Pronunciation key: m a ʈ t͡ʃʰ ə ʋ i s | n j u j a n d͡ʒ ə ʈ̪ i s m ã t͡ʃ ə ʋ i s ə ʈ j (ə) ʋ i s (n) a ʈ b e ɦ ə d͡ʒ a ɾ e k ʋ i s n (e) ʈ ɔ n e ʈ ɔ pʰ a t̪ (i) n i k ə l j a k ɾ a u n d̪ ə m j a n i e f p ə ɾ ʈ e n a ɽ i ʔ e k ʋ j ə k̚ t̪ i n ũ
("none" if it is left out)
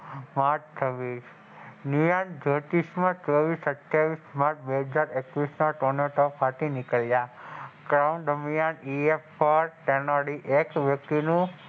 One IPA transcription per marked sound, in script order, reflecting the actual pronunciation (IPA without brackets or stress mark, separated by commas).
a, m, a, i